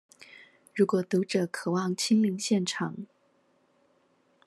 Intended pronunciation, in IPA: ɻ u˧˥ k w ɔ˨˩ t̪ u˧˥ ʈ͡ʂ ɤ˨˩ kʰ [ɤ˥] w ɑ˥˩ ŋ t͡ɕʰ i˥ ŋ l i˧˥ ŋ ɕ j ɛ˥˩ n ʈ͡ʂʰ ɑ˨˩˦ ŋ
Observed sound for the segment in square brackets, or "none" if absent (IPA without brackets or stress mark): ɤ˨˩